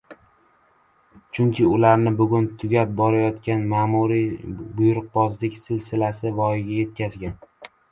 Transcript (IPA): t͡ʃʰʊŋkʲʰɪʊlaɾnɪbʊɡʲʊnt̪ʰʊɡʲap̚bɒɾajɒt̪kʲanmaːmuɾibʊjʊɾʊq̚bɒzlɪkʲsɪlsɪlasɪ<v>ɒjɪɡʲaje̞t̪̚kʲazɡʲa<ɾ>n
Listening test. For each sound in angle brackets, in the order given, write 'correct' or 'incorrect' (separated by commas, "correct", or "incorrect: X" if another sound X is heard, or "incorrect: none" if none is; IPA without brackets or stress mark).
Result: correct, incorrect: none